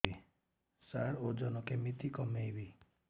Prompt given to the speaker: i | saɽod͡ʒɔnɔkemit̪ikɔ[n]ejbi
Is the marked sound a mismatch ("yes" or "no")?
yes